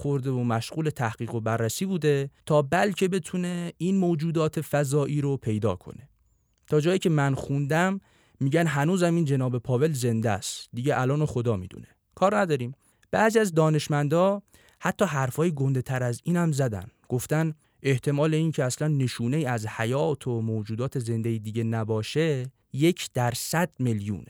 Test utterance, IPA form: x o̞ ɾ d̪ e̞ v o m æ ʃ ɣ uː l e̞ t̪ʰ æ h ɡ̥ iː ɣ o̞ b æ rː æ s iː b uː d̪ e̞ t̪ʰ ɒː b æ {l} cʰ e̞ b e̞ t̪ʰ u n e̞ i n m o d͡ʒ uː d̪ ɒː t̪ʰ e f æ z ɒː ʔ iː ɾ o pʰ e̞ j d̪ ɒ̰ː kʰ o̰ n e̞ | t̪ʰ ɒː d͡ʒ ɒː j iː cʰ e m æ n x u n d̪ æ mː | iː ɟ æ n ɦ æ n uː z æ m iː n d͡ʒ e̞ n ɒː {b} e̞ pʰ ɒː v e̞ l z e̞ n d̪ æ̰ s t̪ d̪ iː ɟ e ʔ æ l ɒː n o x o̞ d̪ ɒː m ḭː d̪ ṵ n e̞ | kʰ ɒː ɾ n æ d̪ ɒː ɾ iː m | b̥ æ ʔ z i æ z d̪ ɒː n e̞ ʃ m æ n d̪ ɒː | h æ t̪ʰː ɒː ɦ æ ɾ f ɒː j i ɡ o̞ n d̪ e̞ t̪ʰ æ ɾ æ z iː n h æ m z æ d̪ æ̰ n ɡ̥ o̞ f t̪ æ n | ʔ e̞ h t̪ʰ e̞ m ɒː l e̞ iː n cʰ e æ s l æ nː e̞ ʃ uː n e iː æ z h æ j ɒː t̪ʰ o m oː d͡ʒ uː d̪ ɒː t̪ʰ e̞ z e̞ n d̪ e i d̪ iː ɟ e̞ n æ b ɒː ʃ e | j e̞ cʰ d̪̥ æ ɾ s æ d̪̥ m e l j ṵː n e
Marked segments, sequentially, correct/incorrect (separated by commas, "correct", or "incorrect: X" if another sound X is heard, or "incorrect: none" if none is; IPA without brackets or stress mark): correct, correct